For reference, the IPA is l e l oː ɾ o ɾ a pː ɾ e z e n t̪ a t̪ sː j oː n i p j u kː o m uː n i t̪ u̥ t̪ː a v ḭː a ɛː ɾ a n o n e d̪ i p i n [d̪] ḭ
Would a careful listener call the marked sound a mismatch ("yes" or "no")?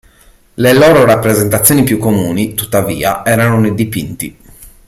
yes